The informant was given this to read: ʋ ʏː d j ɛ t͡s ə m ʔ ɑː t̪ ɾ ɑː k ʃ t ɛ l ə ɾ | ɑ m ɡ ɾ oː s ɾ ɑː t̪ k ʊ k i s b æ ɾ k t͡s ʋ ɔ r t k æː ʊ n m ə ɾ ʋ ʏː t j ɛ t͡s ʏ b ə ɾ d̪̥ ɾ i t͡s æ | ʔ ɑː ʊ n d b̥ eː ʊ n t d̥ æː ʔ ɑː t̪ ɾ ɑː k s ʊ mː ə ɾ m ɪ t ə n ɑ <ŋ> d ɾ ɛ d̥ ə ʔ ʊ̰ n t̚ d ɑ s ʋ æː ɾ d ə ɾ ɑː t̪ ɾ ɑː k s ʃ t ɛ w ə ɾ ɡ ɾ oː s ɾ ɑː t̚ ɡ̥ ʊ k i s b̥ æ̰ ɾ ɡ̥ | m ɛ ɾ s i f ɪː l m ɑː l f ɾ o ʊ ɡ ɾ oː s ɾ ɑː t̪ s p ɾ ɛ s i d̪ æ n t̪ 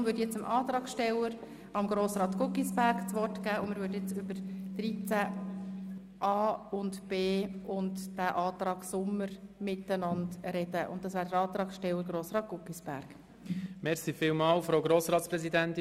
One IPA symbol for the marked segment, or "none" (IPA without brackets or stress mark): n